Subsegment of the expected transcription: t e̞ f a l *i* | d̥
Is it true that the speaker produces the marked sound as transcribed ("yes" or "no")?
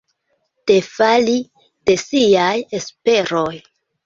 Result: yes